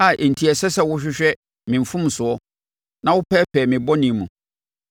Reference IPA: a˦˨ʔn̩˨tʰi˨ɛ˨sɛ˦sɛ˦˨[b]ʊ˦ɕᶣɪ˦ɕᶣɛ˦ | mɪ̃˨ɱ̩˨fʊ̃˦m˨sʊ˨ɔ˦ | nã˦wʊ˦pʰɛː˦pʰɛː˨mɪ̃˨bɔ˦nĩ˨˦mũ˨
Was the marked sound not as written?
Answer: yes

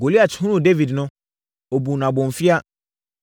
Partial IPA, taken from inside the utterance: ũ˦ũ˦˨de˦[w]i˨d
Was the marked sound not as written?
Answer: yes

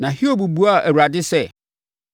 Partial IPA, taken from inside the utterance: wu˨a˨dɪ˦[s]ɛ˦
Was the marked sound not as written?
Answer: no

